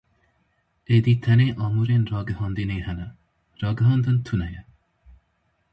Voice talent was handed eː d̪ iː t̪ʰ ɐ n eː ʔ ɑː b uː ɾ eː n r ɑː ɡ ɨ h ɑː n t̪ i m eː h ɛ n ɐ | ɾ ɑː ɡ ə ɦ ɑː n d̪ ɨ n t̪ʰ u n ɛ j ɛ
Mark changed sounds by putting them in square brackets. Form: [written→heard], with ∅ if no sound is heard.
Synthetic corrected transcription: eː d̪ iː t̪ʰ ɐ n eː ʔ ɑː [b→m] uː ɾ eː n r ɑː ɡ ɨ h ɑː n [t̪→d̪] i [m→n] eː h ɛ n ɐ | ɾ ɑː ɡ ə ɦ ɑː n d̪ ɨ n t̪ʰ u n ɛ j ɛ